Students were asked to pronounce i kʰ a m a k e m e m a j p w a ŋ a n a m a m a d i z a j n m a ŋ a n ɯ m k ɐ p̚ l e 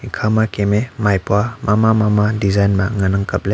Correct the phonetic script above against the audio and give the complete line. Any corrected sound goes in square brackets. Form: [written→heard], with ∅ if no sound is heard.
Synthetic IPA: i kʰ a m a k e m e m a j p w a [ŋ→m] a [n→m] a m a m a d i z a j n m a ŋ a n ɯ [m→ŋ] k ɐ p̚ l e